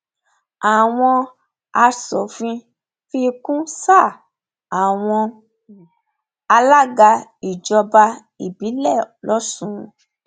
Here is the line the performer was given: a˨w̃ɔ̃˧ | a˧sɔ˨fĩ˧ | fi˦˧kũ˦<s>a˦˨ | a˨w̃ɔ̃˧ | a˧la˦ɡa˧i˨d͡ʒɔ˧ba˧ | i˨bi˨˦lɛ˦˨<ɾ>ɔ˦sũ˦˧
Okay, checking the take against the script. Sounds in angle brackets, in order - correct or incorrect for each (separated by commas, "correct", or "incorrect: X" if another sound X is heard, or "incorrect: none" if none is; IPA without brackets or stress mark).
correct, incorrect: l